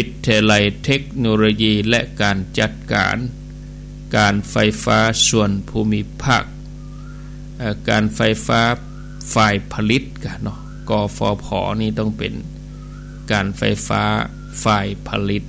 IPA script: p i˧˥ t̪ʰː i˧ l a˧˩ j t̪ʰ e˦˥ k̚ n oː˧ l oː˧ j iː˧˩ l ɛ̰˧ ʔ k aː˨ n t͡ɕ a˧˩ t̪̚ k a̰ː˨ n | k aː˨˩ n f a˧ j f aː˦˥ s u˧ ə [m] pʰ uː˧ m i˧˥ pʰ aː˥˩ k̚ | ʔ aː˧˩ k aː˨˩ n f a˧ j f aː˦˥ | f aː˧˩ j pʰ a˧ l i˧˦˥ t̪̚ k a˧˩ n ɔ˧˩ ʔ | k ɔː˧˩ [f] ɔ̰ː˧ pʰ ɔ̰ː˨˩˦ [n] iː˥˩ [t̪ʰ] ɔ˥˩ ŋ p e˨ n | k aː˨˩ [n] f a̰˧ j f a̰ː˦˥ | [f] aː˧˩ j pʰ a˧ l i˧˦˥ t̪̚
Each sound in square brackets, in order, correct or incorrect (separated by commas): incorrect, correct, correct, incorrect, correct, correct